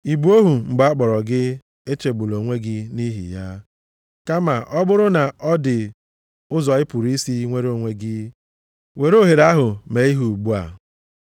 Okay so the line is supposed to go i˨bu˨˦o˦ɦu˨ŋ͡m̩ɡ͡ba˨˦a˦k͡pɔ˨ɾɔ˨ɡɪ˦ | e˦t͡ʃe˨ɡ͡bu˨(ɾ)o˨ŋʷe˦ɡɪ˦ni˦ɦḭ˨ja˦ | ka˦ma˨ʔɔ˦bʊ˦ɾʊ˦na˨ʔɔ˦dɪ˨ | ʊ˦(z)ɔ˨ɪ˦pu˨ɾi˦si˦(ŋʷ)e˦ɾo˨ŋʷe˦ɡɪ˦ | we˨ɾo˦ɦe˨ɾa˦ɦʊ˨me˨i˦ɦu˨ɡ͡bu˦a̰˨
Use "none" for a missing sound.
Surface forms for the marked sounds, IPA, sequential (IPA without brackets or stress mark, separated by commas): l, z, ŋʷ